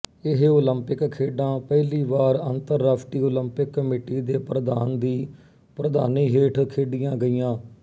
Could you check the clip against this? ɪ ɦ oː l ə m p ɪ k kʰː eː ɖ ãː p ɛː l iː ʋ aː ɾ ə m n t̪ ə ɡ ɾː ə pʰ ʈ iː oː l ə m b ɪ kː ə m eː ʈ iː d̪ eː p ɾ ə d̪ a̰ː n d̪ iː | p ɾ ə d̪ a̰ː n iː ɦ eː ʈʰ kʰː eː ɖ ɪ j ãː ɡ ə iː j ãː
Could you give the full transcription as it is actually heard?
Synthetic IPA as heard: ɪ ɦ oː l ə m p ɪ k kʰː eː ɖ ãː p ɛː l iː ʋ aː ɾ ə n t̪ ə ɾː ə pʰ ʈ iː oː l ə m p ɪ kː ə m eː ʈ iː d̪ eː p ɾ ə d̪ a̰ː n d̪ iː | p ɾ ə d̪ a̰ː n iː ɦ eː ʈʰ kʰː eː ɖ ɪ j ãː ɡ ə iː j ãː